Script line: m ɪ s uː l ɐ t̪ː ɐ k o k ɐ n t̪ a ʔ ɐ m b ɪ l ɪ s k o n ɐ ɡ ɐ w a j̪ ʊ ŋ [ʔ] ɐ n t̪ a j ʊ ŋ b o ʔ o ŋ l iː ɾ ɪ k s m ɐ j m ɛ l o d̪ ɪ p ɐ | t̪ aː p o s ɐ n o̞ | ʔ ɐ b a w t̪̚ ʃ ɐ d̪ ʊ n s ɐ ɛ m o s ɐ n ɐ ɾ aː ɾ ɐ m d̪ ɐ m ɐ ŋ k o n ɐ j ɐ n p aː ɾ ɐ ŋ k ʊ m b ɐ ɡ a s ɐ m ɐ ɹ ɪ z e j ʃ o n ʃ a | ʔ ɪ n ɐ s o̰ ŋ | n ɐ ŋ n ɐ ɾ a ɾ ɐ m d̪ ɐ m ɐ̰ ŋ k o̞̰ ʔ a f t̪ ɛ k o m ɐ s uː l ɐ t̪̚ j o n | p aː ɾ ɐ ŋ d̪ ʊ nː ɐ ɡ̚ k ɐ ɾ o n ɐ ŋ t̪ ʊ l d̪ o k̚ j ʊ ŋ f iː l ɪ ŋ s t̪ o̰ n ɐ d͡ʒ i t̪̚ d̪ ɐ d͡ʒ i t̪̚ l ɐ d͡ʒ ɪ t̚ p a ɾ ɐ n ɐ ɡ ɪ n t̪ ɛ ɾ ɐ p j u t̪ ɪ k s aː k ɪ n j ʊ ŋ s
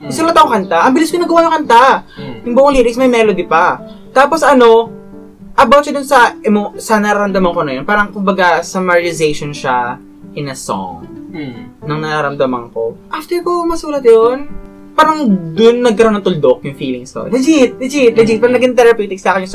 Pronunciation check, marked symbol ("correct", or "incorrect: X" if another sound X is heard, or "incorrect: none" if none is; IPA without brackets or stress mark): incorrect: k